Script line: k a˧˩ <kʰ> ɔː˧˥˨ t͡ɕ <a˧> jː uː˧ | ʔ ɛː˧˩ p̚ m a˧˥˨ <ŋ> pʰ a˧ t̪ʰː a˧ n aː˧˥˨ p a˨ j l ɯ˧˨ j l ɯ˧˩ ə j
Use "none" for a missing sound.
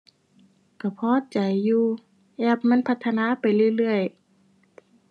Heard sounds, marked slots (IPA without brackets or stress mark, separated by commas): pʰ, a˨˩, n